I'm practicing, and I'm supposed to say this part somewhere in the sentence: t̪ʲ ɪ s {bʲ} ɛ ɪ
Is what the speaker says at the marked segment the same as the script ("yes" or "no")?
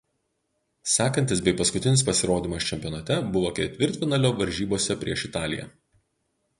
yes